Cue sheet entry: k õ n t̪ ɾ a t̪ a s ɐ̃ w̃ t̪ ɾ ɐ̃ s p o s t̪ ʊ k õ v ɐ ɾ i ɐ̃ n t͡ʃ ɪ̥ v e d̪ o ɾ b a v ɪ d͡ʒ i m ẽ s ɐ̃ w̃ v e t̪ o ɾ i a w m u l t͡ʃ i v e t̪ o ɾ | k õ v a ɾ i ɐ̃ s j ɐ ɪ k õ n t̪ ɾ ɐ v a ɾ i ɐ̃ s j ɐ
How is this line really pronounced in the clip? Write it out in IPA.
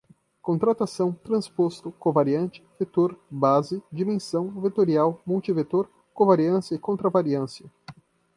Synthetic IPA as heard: k õ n t̪ ɾ a t̪ a s ɐ̃ w̃ t̪ ɾ ɐ̃ s p o s t̪ ʊ k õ v a ɾ i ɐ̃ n t͡ʃ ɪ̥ v e t̪ o ɾ b a z ɪ d͡ʒ i m ẽ s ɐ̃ w̃ v e t̪ o ɾ i a w m u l t͡ʃ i v e t̪ o ɾ | k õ v a ɾ i ɐ̃ s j ɐ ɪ k õ n t̪ ɾ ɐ v a ɾ i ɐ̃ s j ɐ